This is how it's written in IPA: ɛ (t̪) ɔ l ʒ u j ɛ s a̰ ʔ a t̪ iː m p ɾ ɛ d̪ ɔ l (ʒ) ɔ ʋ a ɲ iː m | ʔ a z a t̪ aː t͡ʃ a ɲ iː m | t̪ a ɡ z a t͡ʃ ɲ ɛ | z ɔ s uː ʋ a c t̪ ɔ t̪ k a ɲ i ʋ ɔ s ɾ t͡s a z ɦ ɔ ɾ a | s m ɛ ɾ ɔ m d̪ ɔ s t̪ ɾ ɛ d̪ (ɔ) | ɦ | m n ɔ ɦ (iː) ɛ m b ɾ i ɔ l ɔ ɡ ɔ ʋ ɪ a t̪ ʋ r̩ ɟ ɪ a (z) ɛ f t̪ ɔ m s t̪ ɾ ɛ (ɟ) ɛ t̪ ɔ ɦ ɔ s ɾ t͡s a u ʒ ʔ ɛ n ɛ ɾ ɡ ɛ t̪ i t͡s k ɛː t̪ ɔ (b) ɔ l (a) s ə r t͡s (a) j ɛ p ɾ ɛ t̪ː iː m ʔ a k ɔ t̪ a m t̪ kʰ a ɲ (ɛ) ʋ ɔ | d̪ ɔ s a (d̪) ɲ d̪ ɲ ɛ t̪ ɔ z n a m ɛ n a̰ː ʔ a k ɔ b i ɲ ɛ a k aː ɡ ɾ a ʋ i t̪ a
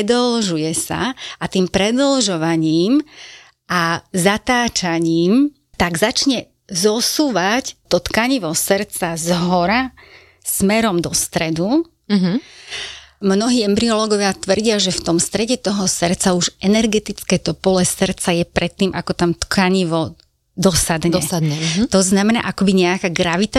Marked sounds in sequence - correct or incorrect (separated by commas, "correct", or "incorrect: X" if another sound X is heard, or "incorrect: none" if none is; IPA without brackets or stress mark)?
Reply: incorrect: d̪, correct, incorrect: u, correct, incorrect: ʒ, correct, incorrect: p, incorrect: ɛ, correct, incorrect: i, correct